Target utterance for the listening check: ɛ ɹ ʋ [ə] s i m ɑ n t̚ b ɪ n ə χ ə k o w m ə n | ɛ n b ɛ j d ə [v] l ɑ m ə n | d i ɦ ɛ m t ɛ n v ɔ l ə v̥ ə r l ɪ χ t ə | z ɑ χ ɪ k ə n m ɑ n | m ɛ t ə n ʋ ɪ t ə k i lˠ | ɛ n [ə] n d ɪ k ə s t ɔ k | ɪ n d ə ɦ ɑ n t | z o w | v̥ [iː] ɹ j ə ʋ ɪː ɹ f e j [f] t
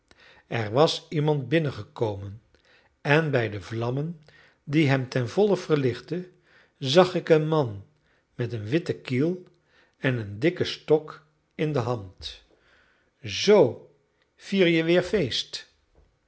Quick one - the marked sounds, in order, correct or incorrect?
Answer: incorrect: ɑ, correct, correct, correct, incorrect: s

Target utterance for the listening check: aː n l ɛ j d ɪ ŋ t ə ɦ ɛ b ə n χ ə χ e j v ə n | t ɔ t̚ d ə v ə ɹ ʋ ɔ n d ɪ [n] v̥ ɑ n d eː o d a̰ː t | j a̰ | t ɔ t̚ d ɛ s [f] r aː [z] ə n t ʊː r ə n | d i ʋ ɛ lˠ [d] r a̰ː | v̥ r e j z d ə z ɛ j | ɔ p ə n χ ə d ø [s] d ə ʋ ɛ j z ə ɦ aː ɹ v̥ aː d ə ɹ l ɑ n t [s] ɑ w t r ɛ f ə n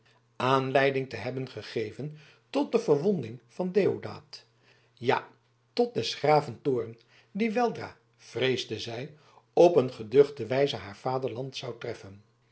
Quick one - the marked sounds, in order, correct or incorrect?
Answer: incorrect: ŋ, incorrect: χ, incorrect: v, correct, incorrect: χ, correct

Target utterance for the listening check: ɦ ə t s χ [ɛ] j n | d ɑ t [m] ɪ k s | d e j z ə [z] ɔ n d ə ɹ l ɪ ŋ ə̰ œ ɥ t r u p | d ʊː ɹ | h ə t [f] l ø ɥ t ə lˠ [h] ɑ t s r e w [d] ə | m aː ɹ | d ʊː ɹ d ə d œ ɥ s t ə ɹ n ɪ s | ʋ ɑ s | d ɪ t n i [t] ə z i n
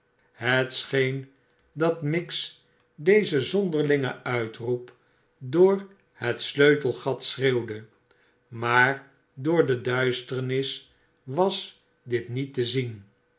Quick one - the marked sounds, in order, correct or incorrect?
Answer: incorrect: e, correct, correct, incorrect: s, incorrect: χ, correct, correct

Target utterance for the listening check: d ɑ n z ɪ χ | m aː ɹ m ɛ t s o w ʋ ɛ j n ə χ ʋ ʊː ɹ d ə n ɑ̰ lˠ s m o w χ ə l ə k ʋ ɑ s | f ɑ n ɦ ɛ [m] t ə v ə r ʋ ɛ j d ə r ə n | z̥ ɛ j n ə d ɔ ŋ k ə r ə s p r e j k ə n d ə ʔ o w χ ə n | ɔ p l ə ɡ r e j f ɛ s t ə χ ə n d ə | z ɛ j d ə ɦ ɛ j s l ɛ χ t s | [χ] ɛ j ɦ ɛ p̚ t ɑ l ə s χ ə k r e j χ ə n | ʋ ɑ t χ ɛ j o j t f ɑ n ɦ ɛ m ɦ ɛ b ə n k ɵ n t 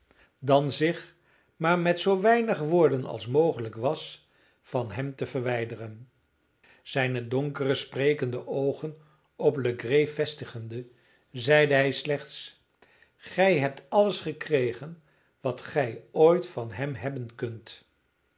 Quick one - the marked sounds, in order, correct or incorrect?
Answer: correct, correct

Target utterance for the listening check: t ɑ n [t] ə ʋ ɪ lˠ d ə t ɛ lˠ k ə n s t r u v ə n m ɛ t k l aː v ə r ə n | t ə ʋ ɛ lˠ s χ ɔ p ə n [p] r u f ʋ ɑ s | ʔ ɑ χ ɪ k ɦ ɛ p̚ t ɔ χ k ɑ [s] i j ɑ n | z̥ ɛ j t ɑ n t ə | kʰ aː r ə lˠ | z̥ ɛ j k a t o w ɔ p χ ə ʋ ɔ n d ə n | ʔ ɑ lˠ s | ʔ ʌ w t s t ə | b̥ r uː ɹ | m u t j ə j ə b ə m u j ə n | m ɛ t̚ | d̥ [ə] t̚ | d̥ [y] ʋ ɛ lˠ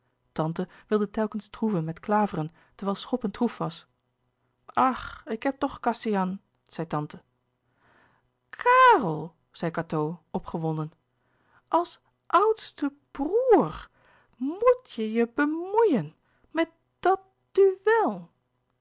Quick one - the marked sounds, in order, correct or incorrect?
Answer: correct, incorrect: t, correct, incorrect: ɑ, correct

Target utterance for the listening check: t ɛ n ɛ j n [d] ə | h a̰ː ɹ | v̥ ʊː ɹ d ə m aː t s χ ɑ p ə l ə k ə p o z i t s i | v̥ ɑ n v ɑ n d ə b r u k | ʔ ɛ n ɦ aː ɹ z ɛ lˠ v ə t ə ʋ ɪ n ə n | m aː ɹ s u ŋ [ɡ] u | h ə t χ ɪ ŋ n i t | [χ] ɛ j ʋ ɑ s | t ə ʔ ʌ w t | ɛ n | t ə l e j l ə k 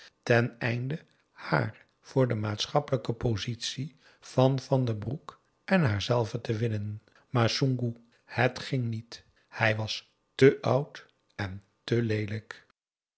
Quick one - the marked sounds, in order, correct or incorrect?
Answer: correct, correct, incorrect: h

